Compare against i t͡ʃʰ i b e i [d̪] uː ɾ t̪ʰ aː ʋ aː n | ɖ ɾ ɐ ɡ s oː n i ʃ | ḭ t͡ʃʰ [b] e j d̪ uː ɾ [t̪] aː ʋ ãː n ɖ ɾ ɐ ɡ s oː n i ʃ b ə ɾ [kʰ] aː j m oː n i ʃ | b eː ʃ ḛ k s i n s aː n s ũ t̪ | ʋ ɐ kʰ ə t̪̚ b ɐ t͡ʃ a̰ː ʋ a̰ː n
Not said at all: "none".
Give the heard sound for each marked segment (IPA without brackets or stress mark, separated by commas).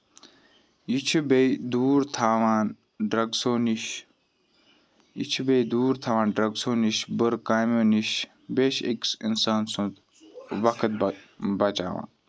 d̪, b, t̪ʰ, k